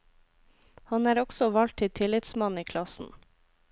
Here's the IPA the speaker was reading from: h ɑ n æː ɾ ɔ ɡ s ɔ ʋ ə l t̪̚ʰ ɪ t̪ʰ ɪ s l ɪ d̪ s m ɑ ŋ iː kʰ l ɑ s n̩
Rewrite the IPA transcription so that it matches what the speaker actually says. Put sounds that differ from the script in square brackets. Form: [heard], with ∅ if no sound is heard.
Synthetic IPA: h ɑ n æː ɾ ɔ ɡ s ɔ ʋ [ɑ] l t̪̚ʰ ɪ t̪ʰ ɪ [∅] l ɪ [t̪] s m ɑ [n] iː kʰ l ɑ s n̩

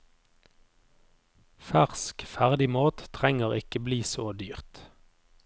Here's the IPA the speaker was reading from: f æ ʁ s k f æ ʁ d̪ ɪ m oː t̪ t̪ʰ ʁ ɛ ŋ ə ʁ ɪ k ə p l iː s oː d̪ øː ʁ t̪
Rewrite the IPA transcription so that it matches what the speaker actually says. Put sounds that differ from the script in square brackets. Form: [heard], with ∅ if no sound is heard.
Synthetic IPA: f æ ʁ s k f æ ʁ d̪ ɪ m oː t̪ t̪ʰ ʁ ɛ ŋ ə ʁ ɪ k ə [b] l iː s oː d̪ [yː] ʁ t̪

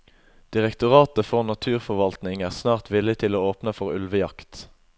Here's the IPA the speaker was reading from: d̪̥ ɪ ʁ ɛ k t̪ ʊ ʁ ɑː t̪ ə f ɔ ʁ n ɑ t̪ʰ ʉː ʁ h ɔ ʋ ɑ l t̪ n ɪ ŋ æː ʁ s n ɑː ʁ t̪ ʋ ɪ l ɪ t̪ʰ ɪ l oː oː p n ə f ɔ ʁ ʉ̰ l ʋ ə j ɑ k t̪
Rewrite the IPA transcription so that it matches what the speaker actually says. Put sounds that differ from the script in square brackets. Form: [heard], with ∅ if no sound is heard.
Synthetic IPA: d̪̥ ɪ ʁ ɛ k t̪ ʊ ʁ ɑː t̪ ə f ɔ ʁ n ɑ t̪ʰ ʉː ʁ [f] ɔ ʋ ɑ l t̪ n ɪ ŋ æː ʁ s n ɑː ʁ t̪ ʋ ɪ l ɪ t̪ʰ ɪ l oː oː p n ə f ɔ ʁ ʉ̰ l ʋ ə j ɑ k t̪

